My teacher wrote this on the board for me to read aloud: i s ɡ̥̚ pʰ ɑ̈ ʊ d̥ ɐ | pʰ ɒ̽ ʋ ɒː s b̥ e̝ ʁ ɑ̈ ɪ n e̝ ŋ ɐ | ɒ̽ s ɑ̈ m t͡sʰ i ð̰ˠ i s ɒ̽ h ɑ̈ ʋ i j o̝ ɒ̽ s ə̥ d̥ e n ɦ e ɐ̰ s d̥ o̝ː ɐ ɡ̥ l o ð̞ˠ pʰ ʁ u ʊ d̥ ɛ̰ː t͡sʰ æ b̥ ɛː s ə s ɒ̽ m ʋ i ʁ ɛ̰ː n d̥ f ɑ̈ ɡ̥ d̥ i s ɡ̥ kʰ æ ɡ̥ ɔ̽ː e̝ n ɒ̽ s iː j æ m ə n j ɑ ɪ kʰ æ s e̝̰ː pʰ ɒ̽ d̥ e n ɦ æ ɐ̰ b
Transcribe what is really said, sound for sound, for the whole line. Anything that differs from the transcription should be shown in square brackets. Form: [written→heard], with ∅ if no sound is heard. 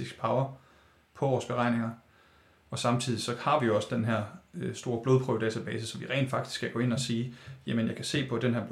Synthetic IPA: i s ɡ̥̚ pʰ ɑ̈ ʊ [d̥→∅] ɐ | pʰ ɒ̽ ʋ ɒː s b̥ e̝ ʁ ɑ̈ ɪ n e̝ ŋ ɐ | ɒ̽ s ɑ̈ m t͡sʰ i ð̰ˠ i s ɒ̽ h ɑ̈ ʋ i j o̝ ɒ̽ s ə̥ d̥ e n ɦ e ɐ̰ s d̥ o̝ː ɐ [ɡ̥→b̥] l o ð̞ˠ pʰ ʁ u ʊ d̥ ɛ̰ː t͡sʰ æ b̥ ɛː s ə s ɒ̽ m ʋ i ʁ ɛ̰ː n d̥ f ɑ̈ ɡ̥ d̥ i s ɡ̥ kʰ æ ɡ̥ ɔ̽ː e̝ n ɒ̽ s iː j æ m ə n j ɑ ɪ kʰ æ s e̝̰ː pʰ ɒ̽ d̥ e n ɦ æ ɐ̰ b